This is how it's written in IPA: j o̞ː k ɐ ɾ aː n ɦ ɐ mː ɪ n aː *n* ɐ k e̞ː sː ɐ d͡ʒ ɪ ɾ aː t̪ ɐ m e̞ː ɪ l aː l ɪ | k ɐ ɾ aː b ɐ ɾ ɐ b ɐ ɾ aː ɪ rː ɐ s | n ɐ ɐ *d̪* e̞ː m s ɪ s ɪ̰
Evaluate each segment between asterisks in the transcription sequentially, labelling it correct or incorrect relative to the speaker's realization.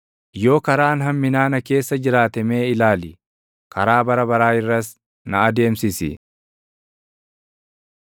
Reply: correct, correct

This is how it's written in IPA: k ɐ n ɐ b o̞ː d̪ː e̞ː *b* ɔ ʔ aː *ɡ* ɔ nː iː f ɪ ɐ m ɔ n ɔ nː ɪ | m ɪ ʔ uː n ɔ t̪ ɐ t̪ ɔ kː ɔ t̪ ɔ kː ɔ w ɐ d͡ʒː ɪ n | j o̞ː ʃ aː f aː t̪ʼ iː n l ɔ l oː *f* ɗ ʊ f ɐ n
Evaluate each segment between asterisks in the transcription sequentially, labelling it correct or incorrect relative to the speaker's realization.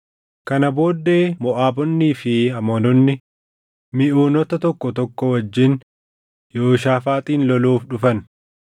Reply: incorrect: m, incorrect: b, correct

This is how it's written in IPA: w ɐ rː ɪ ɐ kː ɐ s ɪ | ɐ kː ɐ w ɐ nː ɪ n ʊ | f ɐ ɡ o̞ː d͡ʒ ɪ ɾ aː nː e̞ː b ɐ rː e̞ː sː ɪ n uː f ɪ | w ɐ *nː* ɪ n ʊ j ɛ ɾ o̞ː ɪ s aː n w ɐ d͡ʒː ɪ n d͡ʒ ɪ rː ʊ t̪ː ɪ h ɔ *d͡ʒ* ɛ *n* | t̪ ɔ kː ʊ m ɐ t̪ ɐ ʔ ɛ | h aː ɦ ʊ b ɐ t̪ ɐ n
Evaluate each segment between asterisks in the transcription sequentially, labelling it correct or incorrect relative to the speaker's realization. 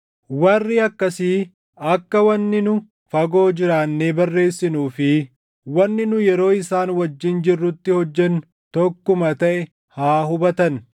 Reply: correct, incorrect: d͡ʒː, correct

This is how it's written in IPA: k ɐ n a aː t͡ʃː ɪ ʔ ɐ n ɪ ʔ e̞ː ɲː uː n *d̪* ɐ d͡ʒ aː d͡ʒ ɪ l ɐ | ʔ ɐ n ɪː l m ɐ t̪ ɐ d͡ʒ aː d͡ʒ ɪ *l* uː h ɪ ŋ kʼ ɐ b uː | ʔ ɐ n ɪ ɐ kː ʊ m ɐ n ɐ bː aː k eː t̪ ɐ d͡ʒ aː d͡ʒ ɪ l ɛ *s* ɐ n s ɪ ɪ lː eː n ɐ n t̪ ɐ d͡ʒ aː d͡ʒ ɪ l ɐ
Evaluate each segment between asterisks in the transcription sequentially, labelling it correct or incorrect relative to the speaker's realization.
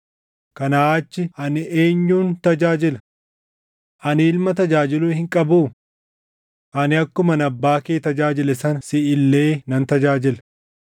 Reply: incorrect: t̪, correct, correct

